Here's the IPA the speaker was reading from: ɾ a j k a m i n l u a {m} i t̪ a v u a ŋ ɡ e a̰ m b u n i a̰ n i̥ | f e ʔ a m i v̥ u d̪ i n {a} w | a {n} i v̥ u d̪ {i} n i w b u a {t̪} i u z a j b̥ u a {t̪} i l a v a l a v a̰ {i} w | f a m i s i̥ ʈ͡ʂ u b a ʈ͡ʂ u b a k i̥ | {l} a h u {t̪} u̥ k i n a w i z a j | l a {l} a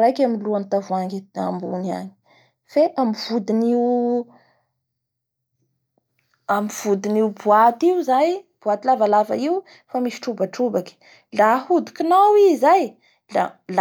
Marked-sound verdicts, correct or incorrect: incorrect: n, incorrect: i, incorrect: m, correct, correct, correct, correct, correct, incorrect: d̪, correct

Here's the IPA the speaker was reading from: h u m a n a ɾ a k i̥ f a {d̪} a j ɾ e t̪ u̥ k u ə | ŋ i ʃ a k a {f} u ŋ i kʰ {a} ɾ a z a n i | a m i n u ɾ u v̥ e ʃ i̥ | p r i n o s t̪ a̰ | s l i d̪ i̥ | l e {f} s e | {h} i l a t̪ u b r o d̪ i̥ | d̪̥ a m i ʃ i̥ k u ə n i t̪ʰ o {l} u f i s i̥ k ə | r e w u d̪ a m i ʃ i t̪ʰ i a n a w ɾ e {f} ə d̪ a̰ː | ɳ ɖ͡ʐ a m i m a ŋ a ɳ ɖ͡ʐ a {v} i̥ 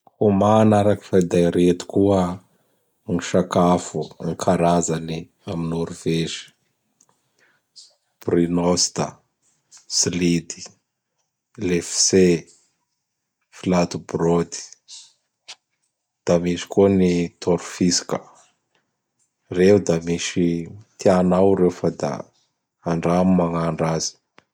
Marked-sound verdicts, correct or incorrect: correct, correct, correct, correct, incorrect: f, incorrect: ɾ, correct, incorrect: z

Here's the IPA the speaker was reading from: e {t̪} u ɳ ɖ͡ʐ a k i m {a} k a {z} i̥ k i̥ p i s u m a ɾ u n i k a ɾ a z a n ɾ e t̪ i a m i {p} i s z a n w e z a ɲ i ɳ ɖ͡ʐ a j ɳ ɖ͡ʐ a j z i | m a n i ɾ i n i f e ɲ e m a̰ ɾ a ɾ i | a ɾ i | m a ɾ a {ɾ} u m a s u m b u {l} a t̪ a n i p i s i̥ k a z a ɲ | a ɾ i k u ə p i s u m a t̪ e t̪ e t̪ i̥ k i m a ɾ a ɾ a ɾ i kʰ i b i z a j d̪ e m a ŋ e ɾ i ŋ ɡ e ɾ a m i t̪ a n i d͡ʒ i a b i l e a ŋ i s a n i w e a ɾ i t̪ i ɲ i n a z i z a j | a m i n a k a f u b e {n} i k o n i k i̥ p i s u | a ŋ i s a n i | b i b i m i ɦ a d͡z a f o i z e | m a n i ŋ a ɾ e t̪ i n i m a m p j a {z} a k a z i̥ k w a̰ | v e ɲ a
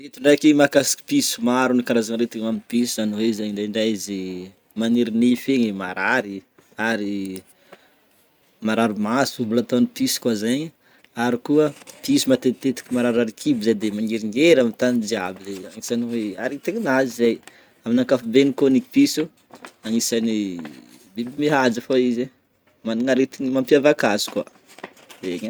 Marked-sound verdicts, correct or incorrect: correct, correct, incorrect: s, correct, correct, correct, correct, incorrect: v

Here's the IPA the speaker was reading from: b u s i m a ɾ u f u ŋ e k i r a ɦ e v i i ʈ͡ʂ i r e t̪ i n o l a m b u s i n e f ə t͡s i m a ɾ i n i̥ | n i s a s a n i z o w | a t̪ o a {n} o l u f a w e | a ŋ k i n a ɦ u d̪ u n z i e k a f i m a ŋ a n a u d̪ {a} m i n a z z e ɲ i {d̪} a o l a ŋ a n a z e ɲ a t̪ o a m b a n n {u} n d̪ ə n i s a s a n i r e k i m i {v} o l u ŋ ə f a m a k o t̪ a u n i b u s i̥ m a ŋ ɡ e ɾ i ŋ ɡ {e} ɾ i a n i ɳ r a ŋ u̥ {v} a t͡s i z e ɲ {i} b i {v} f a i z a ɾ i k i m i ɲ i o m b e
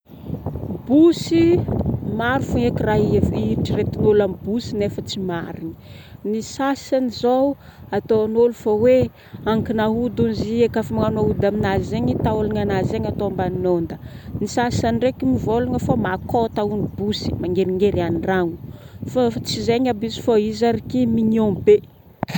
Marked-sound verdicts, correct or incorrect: correct, correct, incorrect: t̪, incorrect: o, correct, correct, incorrect: f, incorrect: a, incorrect: z

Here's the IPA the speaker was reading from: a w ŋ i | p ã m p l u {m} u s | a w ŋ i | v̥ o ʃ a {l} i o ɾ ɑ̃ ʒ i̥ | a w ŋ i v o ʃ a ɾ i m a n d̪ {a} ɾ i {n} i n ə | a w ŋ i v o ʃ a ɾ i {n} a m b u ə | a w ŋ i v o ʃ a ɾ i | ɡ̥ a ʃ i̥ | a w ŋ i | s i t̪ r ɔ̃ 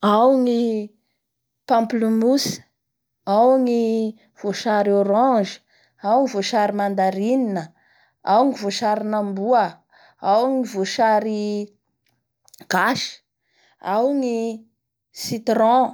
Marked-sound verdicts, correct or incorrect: correct, incorrect: ɾ, correct, correct, correct

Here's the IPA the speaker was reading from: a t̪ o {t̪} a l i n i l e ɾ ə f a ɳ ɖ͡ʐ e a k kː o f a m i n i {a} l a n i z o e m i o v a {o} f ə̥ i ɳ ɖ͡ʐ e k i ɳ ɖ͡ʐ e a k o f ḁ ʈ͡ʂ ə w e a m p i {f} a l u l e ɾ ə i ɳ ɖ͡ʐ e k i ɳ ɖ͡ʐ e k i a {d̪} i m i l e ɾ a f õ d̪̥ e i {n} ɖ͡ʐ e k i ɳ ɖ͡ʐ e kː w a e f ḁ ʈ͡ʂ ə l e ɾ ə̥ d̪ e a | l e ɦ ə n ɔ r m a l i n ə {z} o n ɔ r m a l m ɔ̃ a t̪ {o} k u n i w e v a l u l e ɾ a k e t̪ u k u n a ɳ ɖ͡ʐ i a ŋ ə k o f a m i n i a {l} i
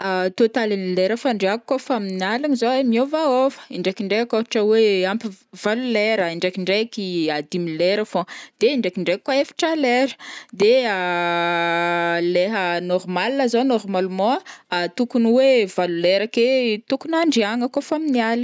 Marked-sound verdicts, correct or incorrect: correct, correct, correct, incorrect: v, correct, incorrect: ɳ, correct, incorrect: u, correct

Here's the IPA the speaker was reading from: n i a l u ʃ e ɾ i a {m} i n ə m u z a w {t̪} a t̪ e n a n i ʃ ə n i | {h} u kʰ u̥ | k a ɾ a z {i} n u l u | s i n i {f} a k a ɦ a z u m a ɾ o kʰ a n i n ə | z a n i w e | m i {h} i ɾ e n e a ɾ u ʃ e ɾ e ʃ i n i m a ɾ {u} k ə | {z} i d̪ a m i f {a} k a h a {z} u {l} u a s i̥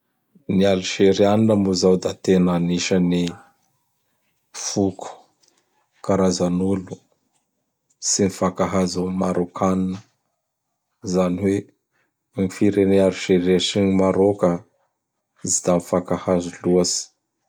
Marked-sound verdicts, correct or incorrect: incorrect: n, incorrect: d̪, incorrect: f, incorrect: a, correct, incorrect: f, incorrect: o, correct, correct, correct, correct

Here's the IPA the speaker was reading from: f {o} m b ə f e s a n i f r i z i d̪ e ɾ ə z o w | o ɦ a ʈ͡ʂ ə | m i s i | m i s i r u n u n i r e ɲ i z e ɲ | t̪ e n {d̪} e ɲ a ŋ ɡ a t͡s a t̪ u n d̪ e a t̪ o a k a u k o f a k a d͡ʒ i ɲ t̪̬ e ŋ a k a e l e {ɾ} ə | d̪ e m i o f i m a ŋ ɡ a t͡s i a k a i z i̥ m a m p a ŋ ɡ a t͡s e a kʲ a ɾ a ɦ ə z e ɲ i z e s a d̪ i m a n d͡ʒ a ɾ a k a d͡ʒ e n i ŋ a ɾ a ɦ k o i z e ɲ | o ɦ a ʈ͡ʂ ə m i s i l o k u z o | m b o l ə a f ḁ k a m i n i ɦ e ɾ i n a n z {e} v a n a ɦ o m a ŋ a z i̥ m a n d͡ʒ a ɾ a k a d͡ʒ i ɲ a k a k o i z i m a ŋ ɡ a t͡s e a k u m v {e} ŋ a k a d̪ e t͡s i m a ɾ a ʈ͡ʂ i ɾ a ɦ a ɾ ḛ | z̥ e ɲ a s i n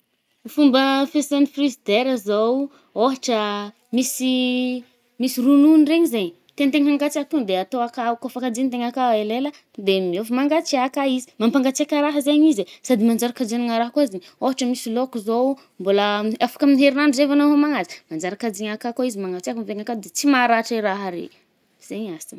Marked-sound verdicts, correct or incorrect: incorrect: u, incorrect: t̪, incorrect: l, correct, correct

